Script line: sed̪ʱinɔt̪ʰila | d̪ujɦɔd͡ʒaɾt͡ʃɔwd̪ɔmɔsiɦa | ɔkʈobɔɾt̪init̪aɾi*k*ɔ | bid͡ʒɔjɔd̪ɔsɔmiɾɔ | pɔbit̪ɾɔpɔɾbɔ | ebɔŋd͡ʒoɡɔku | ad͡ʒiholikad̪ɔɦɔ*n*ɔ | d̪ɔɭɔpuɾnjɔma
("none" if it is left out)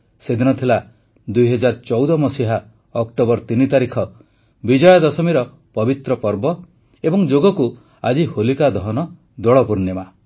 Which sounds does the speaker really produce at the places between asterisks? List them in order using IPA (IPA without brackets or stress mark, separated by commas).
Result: kʰ, n